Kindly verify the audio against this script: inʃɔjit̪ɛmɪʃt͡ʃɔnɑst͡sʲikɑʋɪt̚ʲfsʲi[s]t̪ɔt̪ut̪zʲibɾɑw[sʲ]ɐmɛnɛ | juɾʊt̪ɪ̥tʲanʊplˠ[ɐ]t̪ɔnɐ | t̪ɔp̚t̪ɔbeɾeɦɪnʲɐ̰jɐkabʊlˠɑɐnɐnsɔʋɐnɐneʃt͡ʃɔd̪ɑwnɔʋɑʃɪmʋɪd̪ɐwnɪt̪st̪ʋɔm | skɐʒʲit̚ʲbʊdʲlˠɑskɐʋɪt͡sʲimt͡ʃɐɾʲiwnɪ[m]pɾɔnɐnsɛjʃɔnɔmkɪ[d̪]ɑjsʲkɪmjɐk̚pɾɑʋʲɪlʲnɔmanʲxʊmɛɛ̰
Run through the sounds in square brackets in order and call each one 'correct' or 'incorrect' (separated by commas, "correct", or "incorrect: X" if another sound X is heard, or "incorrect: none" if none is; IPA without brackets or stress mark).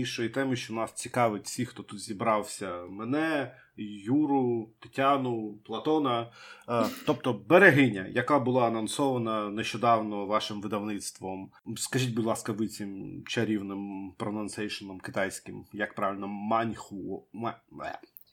incorrect: x, correct, correct, correct, incorrect: t̪